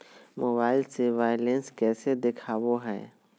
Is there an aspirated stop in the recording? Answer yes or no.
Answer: yes